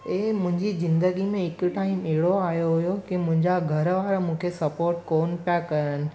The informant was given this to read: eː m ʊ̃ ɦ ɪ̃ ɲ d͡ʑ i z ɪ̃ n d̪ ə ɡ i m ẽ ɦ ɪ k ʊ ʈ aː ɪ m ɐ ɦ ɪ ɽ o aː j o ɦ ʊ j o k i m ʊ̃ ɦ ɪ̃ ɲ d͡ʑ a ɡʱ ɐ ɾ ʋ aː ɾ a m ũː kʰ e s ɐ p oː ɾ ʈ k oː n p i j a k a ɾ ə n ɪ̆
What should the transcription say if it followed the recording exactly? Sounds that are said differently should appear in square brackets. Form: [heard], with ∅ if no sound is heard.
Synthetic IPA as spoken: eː m ʊ̃ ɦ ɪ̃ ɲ d͡ʑ i z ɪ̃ n d̪ ə ɡ i m ẽ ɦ ɪ k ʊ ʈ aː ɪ m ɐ ɦ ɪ ɽ o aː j o ɦ ʊ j o k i m ʊ̃ ɦ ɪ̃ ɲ d͡ʑ a ɡʱ ɐ ɾ ʋ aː ɾ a m ũː kʰ e s ɐ p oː ɾ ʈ k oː n p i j a k [ɐ] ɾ ə n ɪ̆